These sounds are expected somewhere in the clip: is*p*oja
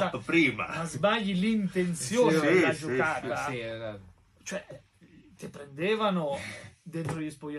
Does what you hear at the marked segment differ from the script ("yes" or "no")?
no